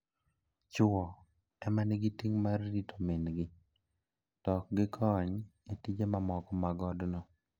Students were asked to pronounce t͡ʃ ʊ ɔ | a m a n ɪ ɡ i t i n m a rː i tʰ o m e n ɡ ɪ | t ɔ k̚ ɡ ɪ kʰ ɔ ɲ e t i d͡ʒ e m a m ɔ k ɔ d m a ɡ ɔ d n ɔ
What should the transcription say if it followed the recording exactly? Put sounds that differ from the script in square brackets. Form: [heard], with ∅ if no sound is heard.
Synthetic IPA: t͡ʃ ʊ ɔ | [ɛ] m a n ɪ ɡ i t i [ŋ] m a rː i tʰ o m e n ɡ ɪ | t ɔ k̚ ɡ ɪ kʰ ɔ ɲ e t i d͡ʒ e m a m ɔ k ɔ [∅] m a ɡ ɔ d n ɔ